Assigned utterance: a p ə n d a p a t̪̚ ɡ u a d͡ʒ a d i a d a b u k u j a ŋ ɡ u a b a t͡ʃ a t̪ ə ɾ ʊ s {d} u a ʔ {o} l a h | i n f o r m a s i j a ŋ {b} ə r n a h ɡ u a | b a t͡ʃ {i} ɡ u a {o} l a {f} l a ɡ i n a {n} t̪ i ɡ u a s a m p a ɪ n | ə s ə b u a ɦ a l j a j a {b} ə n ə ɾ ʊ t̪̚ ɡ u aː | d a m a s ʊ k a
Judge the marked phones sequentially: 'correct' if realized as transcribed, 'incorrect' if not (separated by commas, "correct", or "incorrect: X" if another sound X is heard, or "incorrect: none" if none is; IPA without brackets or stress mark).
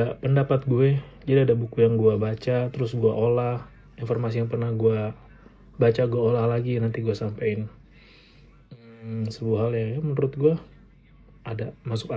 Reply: incorrect: ɡ, correct, incorrect: p, incorrect: a, correct, incorrect: h, correct, incorrect: m